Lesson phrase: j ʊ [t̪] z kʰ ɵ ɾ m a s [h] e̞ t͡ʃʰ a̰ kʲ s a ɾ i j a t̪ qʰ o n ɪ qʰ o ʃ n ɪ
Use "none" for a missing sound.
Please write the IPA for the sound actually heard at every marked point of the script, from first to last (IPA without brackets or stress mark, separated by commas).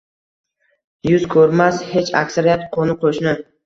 none, h